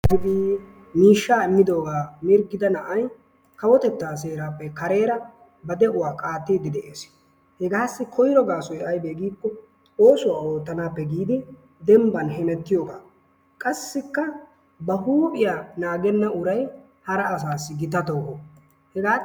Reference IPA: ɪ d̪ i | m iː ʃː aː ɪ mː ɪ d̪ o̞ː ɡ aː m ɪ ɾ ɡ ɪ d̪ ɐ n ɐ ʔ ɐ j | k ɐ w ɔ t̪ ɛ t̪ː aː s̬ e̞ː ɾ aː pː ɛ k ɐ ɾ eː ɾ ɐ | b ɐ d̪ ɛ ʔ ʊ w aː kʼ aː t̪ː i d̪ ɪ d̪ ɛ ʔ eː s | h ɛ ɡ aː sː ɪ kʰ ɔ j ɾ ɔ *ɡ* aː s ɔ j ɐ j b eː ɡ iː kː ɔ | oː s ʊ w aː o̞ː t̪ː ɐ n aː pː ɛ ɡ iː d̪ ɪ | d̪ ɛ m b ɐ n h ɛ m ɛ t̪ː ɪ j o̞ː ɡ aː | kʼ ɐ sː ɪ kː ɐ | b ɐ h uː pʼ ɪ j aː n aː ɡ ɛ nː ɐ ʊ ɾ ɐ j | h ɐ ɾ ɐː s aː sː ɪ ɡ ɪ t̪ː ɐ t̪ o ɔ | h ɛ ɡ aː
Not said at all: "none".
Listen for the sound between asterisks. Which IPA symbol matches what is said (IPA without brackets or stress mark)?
ɡ